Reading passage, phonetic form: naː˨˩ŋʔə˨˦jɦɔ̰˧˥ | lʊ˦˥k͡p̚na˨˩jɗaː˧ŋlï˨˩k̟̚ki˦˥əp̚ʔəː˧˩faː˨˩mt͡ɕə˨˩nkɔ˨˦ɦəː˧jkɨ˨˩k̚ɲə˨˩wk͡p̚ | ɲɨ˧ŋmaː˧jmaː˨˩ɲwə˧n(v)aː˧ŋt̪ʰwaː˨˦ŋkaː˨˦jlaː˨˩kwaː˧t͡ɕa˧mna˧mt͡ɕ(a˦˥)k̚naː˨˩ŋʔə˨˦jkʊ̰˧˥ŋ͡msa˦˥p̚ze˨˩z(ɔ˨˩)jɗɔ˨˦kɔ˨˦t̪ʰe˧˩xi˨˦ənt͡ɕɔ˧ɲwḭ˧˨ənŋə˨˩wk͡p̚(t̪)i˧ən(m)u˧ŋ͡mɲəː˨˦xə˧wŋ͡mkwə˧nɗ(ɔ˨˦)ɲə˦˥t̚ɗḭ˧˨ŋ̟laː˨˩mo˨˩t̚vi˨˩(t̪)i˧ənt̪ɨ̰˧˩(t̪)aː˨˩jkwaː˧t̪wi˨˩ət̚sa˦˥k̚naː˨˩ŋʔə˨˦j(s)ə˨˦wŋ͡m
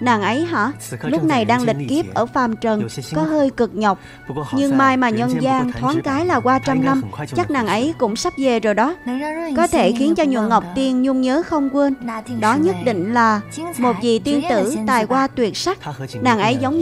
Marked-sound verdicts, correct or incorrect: incorrect: z, correct, incorrect: o˨˩, correct, incorrect: ɲ, correct, correct, correct, incorrect: z

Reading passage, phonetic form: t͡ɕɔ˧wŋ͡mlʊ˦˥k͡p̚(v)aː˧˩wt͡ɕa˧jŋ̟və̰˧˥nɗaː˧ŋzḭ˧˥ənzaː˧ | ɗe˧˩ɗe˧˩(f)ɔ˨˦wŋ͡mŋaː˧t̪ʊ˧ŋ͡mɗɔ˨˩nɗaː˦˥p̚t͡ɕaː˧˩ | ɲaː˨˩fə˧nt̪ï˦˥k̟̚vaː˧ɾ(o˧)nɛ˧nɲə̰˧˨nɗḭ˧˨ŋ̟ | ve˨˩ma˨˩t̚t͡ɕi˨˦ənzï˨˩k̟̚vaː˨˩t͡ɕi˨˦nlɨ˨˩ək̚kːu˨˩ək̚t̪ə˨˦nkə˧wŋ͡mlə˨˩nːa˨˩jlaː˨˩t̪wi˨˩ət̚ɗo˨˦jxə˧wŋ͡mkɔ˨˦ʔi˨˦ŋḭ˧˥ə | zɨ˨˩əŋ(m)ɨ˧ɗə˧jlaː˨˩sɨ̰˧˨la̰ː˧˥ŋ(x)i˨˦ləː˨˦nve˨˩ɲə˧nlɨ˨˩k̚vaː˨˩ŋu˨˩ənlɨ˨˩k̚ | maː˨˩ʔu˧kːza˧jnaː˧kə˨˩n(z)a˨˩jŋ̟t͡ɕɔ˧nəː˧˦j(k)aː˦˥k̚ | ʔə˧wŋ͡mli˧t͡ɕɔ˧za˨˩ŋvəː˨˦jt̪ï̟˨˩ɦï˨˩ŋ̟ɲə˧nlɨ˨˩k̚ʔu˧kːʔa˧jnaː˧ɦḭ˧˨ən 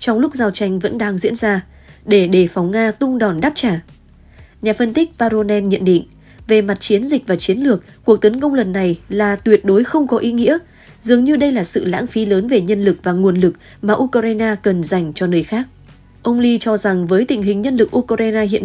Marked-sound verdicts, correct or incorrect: incorrect: z, correct, correct, incorrect: ɲ, incorrect: f, correct, incorrect: x

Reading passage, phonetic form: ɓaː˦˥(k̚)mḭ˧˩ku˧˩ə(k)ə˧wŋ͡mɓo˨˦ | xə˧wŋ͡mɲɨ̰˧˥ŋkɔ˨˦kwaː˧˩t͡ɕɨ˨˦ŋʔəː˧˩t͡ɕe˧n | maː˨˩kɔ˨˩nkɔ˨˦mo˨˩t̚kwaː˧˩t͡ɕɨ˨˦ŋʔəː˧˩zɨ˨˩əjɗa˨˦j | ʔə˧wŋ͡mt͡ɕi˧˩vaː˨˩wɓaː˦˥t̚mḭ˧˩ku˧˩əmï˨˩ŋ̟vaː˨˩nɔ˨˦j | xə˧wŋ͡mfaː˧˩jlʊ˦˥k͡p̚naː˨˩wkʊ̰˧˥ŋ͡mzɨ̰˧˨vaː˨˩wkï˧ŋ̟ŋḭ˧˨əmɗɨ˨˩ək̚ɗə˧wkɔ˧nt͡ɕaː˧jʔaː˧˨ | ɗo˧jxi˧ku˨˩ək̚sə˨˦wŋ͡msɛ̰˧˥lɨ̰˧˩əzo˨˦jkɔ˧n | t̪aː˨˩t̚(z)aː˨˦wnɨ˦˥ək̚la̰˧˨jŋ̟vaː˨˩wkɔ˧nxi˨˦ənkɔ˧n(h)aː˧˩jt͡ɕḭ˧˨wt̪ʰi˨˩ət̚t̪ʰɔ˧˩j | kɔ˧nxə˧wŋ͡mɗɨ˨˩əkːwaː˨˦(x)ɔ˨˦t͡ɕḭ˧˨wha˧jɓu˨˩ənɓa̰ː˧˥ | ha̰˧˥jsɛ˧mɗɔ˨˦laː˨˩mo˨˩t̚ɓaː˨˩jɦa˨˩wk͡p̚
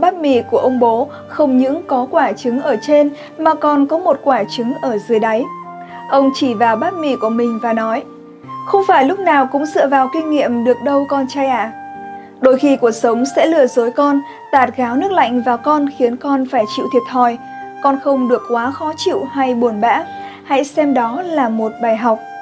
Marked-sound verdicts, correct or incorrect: incorrect: t̚, incorrect: ʔ, incorrect: ɣ, incorrect: f, correct

